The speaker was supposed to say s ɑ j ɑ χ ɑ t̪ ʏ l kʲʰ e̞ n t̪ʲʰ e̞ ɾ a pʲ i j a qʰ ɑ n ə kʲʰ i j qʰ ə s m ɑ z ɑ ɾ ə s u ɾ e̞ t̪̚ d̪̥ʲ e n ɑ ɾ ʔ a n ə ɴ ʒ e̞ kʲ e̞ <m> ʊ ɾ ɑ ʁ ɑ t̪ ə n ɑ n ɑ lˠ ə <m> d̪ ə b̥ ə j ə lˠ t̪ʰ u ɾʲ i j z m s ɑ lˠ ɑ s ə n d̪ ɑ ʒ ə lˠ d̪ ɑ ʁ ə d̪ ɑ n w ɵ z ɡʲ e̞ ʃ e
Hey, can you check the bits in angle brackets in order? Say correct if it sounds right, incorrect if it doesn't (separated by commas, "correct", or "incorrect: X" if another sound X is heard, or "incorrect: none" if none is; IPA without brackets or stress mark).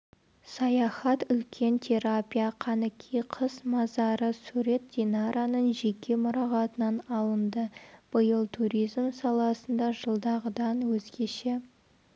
correct, incorrect: n